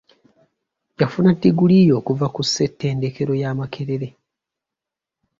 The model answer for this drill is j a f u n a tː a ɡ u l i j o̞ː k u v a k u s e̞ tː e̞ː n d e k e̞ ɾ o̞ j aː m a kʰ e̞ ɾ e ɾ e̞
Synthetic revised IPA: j a f u n a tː i ɡ u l i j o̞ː k u v a k u s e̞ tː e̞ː n d e k e̞ ɾ o̞ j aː m a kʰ e̞ ɾ e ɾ e̞